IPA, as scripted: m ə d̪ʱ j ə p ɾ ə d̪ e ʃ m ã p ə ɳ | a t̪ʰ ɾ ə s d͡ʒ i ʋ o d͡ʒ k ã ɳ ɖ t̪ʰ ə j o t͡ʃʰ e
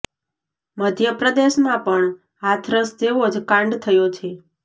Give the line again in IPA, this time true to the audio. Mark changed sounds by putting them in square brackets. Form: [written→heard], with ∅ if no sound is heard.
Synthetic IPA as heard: m ə d̪ʱ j ə p ɾ ə d̪ e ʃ m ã p ə ɳ | a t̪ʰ ɾ ə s d͡ʒ [i→e] ʋ o d͡ʒ k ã ɳ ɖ t̪ʰ ə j o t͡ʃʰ e